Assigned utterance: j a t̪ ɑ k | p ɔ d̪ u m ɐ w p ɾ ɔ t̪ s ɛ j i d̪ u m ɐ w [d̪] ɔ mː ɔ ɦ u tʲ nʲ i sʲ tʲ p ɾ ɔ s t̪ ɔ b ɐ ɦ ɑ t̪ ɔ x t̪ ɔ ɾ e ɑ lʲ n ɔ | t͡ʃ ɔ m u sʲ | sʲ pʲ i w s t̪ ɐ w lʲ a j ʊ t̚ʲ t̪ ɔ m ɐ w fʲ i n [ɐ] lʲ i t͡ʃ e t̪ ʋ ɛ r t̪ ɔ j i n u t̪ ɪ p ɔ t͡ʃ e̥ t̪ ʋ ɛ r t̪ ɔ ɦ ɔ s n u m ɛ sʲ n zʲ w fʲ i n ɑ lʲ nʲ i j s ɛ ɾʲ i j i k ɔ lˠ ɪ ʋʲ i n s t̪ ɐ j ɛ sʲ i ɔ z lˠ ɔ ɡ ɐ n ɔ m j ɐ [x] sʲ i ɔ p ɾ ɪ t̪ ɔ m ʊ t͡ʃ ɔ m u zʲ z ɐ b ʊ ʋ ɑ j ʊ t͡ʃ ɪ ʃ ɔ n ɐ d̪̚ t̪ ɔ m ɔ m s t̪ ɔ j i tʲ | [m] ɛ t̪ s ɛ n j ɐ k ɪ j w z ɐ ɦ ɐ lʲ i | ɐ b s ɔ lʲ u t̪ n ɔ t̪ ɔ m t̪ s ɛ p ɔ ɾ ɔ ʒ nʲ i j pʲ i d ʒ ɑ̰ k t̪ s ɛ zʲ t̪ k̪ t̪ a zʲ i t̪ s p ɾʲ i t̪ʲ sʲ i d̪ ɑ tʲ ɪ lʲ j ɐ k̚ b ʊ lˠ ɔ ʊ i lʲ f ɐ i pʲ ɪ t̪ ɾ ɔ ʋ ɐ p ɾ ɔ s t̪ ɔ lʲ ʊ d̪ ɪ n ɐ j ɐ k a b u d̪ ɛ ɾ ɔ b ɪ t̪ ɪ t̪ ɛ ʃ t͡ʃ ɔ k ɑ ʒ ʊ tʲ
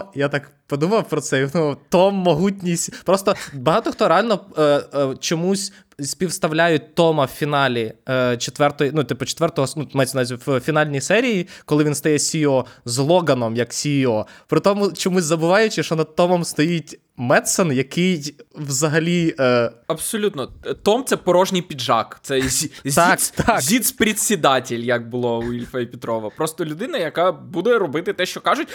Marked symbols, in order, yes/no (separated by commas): no, no, no, yes